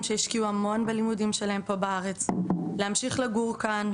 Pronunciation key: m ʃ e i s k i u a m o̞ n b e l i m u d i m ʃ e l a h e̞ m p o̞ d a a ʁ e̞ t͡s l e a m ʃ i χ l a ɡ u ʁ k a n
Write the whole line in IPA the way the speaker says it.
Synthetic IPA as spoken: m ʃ e i ʃ k i u a m o̞ n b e l i m u d i m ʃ e l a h e̞ m p o̞ b a a ʁ e̞ t͡s l e a m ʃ i χ l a ɡ u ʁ k a n